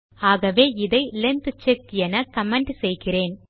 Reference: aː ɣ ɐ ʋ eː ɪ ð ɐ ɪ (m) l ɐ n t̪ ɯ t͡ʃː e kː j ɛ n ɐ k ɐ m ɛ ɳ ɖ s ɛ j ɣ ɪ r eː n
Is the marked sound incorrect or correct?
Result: incorrect: none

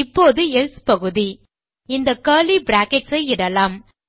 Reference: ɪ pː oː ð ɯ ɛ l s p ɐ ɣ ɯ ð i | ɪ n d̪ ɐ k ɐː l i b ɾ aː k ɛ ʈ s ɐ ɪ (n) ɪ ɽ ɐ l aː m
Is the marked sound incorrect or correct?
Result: incorrect: none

